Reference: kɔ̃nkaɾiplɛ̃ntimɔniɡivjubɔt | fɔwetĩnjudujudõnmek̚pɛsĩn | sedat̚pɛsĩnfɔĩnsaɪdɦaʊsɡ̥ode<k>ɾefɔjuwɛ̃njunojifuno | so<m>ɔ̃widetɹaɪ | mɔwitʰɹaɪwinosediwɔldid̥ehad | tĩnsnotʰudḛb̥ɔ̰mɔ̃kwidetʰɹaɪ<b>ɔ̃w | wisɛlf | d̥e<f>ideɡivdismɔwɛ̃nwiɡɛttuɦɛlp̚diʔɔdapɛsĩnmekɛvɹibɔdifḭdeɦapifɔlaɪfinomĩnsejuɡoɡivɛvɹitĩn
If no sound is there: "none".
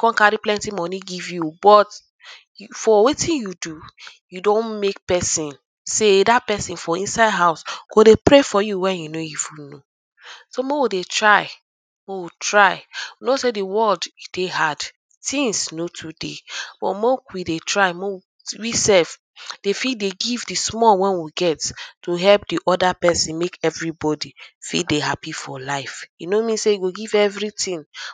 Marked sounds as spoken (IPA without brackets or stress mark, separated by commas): p, m, m, f